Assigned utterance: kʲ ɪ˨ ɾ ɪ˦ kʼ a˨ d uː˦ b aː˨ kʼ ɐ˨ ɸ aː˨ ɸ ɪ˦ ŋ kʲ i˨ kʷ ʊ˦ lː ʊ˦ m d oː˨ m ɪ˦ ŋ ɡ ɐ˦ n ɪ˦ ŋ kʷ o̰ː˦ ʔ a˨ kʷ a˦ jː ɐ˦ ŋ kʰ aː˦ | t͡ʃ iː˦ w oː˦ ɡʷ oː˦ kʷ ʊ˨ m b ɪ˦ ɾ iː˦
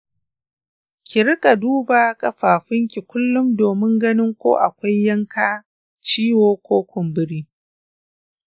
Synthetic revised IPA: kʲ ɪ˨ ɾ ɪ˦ kʼ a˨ d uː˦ b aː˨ kʼ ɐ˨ ɸ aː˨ ɸ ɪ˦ ŋ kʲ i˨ kʷ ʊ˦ lː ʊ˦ m d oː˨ m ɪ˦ ŋ ɡ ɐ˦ n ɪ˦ ŋ kʷ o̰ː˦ ʔ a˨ kʷ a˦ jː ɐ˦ ŋ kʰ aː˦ | t͡ʃ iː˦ w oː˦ kʷ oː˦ kʷ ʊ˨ m b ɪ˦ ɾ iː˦